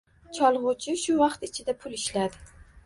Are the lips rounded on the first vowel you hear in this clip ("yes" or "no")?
yes